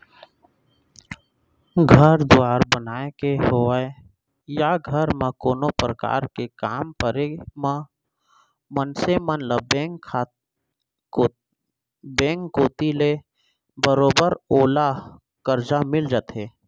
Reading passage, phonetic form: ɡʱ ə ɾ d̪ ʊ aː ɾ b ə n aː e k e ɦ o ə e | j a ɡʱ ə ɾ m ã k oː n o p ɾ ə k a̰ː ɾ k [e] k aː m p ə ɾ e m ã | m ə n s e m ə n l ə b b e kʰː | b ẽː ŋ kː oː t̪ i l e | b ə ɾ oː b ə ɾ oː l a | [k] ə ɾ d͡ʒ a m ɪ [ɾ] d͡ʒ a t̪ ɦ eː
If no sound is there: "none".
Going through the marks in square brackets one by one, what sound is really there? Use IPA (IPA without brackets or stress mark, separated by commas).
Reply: e, k, l